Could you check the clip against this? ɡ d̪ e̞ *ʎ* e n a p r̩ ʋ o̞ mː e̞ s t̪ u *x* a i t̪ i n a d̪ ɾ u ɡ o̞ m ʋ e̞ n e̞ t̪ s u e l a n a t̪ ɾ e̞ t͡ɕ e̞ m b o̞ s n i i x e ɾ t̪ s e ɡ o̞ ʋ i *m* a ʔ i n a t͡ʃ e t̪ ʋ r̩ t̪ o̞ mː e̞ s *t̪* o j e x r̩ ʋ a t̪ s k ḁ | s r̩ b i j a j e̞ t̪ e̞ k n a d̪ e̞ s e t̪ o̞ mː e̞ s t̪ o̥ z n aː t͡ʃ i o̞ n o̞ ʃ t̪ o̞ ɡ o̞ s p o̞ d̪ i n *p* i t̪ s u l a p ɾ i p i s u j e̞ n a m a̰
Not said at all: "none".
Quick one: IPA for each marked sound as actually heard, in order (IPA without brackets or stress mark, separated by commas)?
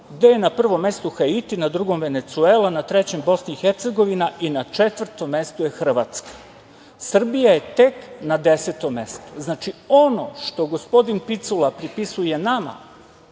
j, x, n, t̪, p